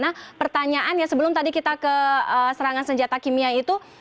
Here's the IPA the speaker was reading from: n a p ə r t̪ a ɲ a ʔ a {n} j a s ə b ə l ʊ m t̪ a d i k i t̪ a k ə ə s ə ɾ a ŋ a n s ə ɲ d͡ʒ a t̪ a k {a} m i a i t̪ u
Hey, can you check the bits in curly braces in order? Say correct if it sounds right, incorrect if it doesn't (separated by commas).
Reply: correct, incorrect